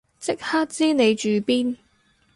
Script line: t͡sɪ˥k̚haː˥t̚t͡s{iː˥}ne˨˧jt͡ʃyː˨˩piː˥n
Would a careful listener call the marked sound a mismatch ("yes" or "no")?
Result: no